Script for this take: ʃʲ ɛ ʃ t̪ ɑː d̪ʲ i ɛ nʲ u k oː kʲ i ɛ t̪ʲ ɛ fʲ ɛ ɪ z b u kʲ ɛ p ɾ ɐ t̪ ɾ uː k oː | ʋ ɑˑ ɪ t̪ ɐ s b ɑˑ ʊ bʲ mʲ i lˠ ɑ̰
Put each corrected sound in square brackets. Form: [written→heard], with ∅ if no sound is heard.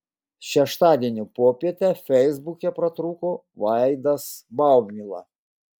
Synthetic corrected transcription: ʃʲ ɛ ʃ t̪ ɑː d̪ʲ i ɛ nʲ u [k→p] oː [kʲ→pʲ] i ɛ t̪ʲ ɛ fʲ ɛ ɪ z b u kʲ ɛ p ɾ ɐ t̪ ɾ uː k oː | ʋ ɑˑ ɪ [t̪→d̪] ɐ s b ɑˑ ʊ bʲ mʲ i lˠ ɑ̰